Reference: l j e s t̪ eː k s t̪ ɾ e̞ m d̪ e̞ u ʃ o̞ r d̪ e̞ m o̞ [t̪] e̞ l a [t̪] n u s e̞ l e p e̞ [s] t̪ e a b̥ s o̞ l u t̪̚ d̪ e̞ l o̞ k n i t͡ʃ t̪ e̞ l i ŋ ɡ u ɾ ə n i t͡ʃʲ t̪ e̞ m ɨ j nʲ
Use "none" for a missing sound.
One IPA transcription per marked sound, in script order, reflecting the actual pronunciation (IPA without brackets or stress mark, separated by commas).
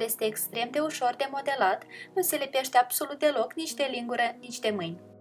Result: d̪, t̪, ʃ